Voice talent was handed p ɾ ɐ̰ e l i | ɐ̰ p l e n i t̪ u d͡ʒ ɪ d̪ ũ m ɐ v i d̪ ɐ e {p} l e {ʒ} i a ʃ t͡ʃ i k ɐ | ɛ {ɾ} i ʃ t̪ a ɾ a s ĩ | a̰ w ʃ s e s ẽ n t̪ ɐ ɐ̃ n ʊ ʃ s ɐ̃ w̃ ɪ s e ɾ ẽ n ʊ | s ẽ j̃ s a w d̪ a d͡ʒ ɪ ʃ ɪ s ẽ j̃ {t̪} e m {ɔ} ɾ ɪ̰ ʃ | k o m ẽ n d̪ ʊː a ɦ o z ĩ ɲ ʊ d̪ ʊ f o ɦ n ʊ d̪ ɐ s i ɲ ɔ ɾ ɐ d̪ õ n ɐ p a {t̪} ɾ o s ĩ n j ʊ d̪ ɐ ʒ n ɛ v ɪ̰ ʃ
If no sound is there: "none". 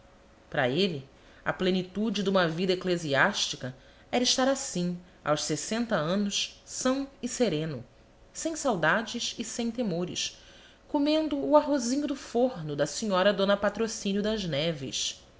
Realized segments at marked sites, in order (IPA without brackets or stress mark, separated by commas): k, z, ɾ, t̪, o, t̪